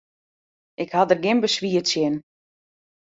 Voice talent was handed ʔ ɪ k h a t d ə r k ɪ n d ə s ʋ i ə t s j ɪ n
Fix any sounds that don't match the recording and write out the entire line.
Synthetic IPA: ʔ ɪ k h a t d ə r ɡ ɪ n b ə s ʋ i ə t s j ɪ n